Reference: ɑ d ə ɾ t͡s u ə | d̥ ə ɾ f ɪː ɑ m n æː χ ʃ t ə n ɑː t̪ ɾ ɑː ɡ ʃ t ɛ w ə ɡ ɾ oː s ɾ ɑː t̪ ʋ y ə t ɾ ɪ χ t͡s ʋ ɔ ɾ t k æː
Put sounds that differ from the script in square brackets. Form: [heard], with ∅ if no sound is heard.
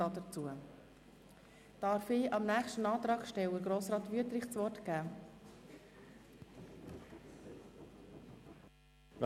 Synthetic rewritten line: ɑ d ə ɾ t͡s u ə | d̥ [ɑ] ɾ f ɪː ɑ m n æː χ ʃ t ə n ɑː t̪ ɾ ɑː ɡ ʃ t ɛ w ə ɡ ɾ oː s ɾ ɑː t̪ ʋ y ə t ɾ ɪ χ t͡s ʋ ɔ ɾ t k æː